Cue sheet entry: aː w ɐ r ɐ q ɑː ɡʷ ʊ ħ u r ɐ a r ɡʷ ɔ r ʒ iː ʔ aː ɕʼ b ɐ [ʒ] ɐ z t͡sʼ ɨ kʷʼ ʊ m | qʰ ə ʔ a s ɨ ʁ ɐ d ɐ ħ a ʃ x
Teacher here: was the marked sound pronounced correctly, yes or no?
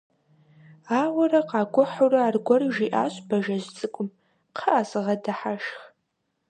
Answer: yes